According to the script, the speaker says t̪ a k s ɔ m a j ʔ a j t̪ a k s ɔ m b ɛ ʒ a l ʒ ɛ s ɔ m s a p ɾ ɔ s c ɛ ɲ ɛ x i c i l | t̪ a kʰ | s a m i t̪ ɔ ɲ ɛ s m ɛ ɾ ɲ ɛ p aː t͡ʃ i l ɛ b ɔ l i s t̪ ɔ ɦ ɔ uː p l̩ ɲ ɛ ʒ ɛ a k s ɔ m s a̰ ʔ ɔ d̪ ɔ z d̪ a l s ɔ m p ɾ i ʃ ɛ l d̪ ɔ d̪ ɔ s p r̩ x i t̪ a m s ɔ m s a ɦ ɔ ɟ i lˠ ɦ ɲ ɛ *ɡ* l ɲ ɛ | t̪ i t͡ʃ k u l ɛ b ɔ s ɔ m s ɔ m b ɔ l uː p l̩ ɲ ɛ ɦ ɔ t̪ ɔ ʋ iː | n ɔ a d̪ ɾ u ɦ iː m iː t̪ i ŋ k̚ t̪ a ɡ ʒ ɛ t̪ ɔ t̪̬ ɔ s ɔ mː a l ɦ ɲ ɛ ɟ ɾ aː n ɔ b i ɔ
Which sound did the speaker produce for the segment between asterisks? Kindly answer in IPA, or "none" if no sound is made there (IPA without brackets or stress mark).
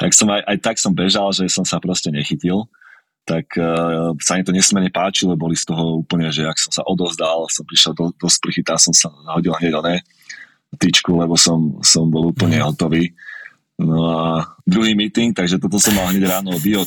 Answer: ɟ